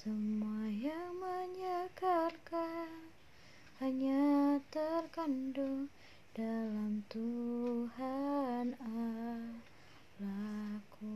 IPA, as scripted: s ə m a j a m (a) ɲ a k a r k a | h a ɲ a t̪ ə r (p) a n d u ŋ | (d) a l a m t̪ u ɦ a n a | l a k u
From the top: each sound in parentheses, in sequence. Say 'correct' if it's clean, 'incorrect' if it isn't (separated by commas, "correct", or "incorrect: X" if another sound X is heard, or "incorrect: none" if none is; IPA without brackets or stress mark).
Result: correct, incorrect: k, correct